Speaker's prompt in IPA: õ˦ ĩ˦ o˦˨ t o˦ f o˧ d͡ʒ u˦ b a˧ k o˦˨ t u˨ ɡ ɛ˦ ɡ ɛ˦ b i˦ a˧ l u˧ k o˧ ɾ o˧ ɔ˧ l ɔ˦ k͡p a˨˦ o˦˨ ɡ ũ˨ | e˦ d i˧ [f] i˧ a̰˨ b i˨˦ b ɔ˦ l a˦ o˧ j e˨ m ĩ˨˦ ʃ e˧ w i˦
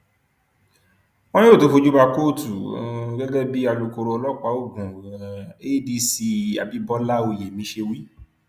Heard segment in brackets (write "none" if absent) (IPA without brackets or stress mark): s